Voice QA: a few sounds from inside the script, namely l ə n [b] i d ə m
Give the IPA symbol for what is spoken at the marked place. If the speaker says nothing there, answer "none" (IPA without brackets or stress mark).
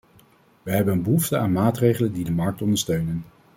d